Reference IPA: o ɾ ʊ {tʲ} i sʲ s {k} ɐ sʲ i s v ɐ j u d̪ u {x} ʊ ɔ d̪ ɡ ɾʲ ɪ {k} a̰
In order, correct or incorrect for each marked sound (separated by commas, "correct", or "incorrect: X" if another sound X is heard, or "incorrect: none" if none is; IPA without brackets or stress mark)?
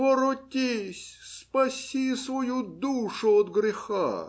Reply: correct, incorrect: p, incorrect: ʂ, incorrect: x